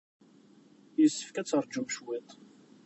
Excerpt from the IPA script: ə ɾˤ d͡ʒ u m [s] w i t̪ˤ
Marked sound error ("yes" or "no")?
yes